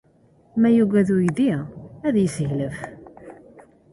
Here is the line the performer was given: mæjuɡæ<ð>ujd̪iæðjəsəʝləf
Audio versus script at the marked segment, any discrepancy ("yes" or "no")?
no